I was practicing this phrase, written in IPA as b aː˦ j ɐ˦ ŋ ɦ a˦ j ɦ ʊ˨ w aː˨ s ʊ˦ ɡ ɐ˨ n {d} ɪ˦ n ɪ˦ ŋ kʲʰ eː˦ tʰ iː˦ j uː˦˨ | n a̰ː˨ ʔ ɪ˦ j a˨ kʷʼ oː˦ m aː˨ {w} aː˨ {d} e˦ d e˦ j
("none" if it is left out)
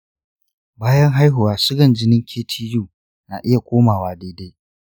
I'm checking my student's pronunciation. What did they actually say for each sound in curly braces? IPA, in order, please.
d͡ʒ, w, d

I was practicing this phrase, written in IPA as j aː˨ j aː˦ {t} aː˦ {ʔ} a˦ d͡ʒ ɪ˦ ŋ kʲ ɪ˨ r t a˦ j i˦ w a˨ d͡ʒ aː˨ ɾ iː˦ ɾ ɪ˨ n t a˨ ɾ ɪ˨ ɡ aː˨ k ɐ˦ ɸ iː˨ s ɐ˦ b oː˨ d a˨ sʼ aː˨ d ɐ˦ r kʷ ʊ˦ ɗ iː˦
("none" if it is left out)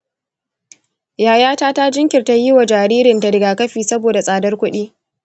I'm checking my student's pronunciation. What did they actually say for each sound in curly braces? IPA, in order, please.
t, t

